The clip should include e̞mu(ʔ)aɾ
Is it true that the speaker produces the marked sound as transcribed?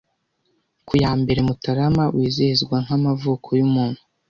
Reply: no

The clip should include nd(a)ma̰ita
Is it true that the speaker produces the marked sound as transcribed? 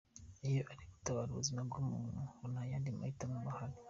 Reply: no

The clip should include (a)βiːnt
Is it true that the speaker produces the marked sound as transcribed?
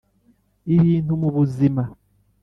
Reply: no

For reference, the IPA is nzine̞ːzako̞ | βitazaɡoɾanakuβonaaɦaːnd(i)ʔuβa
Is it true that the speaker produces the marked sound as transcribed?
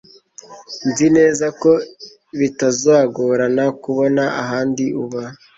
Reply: yes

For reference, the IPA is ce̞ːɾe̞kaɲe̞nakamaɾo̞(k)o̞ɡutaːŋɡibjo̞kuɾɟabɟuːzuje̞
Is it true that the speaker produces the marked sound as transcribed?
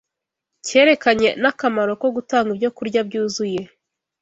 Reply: yes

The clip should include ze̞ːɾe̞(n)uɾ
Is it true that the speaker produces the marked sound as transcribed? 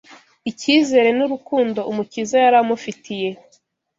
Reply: yes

